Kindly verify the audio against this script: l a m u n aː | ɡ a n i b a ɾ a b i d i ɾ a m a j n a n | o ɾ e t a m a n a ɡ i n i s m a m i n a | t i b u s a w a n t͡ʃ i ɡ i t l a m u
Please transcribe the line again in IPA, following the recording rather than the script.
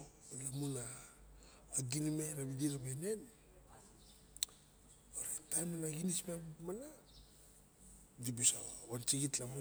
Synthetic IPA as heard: l a m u n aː | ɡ i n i m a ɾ a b i d i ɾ a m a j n e n | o ɾ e t a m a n a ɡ i n i s m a m a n a | d i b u s a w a n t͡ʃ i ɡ i t l a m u